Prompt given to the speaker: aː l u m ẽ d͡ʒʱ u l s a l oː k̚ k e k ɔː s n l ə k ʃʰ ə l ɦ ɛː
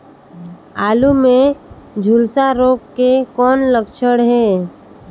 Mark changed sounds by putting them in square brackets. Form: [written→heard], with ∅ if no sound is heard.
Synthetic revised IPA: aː l u m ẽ d͡ʒʱ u l s a [l→ɾ] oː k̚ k e k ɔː [s→∅] n l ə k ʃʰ ə [l→ɽ] ɦ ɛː